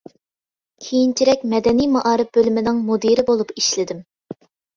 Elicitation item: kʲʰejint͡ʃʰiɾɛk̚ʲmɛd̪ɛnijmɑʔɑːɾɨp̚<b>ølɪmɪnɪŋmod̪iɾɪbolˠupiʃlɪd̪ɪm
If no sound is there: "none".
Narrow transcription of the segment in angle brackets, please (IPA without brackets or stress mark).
b